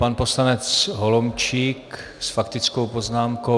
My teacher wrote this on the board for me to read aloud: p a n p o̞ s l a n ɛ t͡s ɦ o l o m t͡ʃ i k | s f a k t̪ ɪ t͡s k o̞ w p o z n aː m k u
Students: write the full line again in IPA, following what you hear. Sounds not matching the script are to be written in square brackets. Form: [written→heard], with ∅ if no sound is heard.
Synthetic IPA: p a n p o̞ s l a n ɛ t͡s ɦ o l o m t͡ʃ i k | s f a k t̪ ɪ t͡s k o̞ w p o z n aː m k [u→o]